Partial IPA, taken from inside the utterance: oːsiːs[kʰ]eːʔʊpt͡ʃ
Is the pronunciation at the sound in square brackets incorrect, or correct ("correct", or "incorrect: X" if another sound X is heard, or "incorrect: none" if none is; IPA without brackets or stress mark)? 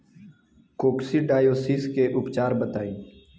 incorrect: k